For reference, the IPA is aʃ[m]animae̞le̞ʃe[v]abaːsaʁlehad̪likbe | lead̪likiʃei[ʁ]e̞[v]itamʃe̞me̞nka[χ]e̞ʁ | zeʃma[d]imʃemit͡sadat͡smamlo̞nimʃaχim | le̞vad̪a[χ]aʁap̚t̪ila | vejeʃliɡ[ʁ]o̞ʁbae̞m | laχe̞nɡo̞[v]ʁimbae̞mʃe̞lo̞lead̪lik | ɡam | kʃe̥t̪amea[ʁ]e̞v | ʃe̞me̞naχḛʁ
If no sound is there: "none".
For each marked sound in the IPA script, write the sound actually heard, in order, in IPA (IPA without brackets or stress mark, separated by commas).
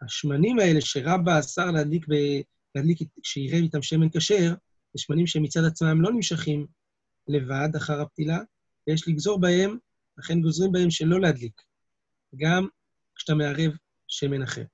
m, ʁ, ʁ, v, ʃ, n, χ, z, z, ʁ